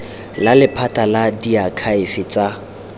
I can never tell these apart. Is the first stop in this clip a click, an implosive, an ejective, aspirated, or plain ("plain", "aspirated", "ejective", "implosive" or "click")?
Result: aspirated